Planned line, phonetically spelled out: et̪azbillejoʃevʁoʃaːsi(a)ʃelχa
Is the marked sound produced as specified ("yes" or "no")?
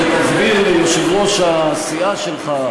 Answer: yes